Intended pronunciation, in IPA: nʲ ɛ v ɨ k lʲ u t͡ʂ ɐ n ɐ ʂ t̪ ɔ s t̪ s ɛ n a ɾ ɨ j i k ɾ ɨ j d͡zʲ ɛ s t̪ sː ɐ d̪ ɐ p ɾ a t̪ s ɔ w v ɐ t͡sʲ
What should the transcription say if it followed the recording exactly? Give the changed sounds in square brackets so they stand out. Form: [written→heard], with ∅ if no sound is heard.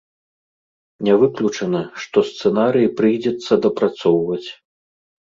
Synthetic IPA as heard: nʲ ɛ v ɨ k lʲ u t͡ʂ ɐ n ɐ ʂ t̪ ɔ s t̪ s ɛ n a ɾ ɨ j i [k→p] ɾ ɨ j d͡zʲ ɛ [s→∅] t̪ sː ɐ d̪ ɐ p ɾ a t̪ s ɔ w v ɐ t͡sʲ